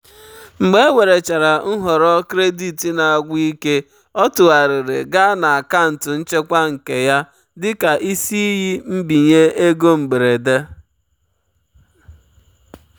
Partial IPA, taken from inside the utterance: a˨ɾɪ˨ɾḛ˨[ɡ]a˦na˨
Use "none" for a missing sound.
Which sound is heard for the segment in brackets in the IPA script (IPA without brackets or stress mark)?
ɡ